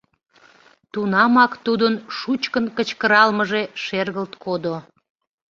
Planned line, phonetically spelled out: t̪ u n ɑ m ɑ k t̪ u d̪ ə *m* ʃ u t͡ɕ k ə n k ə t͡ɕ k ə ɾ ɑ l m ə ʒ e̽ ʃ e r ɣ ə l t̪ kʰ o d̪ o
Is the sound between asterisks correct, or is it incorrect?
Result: incorrect